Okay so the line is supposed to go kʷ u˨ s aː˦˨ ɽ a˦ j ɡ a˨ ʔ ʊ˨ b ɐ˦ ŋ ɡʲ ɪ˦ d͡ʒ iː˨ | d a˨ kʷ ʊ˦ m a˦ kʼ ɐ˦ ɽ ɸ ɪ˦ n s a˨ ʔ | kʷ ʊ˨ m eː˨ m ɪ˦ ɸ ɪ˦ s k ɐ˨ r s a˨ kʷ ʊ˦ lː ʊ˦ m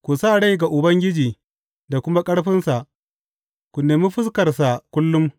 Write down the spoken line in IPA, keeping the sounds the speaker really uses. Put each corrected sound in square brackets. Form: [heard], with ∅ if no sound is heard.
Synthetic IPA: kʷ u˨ s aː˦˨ ɽ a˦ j ɡ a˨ ʔ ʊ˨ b ɐ˦ ŋ ɡʲ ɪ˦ d͡ʒ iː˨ | d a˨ kʷ ʊ˦ m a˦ kʼ ɐ˦ ɽ ɸ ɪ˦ n s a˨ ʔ | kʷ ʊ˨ [n] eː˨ m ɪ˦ ɸ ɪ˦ s k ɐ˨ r s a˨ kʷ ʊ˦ lː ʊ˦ m

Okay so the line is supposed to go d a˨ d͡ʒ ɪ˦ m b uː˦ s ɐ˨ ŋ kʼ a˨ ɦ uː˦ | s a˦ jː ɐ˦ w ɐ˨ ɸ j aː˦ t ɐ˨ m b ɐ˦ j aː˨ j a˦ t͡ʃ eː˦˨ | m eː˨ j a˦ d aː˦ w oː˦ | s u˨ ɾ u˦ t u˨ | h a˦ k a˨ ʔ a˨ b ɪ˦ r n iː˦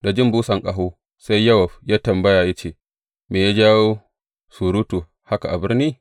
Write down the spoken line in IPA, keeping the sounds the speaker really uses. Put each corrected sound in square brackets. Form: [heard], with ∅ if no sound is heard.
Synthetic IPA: d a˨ d͡ʒ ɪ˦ m b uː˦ s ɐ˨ ŋ kʼ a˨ ɦ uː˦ | s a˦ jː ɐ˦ w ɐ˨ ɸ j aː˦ t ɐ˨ m b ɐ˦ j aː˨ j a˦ t͡ʃ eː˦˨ | m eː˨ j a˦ [d͡ʒ] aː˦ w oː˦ | s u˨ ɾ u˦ t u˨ | h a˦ k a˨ ʔ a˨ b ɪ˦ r n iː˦

